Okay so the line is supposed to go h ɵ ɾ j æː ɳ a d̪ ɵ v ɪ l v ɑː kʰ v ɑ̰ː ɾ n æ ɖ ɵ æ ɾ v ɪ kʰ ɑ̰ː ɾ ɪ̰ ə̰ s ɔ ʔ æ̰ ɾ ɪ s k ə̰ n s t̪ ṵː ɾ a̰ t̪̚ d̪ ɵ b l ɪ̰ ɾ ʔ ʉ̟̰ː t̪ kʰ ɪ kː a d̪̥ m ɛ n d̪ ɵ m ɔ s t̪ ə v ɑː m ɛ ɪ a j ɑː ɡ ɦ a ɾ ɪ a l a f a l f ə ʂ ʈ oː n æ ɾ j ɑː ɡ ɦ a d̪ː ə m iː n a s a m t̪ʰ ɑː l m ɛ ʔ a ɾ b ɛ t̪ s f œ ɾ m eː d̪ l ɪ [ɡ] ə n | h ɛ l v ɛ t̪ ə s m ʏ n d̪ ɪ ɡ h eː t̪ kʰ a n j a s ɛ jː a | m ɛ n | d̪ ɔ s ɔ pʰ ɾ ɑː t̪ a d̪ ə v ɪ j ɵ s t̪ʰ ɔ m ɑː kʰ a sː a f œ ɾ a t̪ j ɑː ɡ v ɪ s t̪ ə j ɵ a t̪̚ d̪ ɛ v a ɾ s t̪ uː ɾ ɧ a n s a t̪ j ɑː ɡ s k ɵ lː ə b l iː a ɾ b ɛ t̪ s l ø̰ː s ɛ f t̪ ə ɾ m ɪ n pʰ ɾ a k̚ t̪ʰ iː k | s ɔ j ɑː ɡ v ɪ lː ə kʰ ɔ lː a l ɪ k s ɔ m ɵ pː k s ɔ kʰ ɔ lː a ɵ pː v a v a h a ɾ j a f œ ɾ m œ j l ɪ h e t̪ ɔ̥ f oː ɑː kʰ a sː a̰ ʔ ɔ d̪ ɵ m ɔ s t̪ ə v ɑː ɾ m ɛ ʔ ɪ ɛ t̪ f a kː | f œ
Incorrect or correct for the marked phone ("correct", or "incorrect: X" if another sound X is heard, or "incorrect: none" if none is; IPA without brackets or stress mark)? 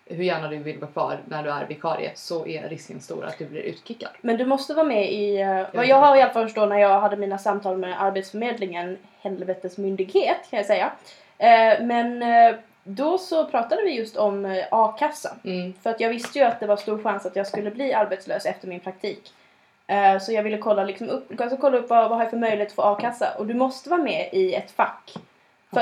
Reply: incorrect: ŋ